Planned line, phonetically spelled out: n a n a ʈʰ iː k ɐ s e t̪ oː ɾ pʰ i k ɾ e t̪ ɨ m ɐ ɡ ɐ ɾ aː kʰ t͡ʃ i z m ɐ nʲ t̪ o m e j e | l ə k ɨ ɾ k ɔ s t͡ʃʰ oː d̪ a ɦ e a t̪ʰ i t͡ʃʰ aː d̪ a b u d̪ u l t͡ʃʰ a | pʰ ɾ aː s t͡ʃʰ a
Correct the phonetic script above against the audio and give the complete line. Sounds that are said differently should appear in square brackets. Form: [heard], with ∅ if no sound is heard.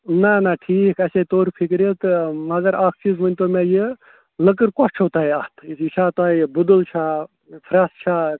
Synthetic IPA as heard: n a n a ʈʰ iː k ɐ s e t̪ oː ɾ pʰ i k ɾ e t̪ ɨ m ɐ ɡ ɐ ɾ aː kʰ t͡ʃ i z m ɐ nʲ t̪ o m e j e | l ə k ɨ ɾ k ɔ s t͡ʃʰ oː [t̪] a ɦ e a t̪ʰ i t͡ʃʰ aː [t̪] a b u d̪ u l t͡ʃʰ a | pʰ ɾ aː s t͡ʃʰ a